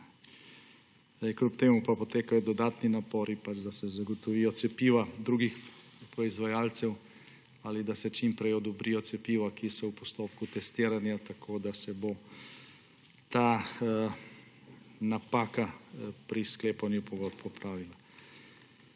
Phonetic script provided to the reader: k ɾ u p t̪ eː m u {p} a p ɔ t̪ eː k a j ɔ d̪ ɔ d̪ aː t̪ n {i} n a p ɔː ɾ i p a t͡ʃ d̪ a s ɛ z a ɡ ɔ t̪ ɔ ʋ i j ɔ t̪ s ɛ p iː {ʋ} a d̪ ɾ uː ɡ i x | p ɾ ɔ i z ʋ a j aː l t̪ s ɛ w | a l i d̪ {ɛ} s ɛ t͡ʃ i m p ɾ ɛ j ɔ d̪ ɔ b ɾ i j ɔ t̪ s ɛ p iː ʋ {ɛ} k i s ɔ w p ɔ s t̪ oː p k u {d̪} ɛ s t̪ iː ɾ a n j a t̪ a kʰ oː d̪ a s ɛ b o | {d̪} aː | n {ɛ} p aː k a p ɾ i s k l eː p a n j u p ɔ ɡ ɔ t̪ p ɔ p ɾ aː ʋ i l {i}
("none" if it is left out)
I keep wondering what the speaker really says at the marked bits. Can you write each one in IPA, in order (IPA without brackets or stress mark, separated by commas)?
p, i, ʋ, a, a, t̪, t̪, a, a